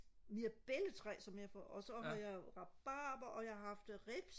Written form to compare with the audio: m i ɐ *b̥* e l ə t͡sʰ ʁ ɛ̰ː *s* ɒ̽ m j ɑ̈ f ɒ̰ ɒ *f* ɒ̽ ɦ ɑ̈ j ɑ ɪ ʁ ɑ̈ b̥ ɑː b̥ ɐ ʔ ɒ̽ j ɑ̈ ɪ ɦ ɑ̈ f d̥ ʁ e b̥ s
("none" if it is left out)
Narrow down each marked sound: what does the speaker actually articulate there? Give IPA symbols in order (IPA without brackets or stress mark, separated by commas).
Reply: b̥, s, s